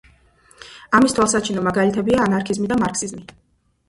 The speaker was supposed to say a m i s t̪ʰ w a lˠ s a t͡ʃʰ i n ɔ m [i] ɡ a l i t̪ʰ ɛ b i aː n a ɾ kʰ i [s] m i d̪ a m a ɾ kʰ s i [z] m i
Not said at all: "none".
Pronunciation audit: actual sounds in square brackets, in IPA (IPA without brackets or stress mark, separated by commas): a, z, z